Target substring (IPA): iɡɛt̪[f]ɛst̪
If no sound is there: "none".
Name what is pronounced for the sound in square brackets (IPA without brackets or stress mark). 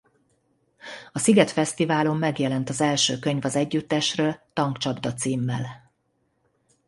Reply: f